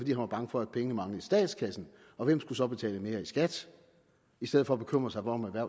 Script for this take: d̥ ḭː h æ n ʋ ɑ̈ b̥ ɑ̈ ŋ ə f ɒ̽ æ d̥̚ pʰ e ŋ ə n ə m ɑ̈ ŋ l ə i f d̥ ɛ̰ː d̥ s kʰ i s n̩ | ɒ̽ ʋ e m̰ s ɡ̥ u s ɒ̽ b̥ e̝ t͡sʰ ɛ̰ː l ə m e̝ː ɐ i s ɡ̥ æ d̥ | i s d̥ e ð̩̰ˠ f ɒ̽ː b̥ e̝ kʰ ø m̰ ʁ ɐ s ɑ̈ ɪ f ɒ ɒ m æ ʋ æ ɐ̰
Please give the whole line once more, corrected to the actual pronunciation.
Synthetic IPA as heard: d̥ ḭː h æ n ʋ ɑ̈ b̥ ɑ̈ ŋ ə f ɒ̽ æ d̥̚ pʰ e ŋ ə n ə m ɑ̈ ŋ l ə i s d̥ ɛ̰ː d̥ s kʰ æ s n̩ | ɒ̽ ʋ e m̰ s ɡ̥ u s ɒ̽ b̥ e̝ t͡sʰ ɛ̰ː l ə m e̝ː ɐ i s ɡ̥ æ d̥ | i s d̥ e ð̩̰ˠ f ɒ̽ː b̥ e̝ kʰ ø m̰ ʁ ɐ s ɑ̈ ɪ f ɒ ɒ m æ ʋ æ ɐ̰